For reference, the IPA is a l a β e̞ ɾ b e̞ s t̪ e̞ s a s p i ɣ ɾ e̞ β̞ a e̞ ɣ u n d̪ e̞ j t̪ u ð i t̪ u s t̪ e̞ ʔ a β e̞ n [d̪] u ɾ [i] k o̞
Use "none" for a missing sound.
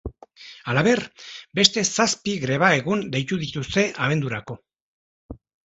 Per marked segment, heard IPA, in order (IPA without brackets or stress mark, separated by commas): d̪, a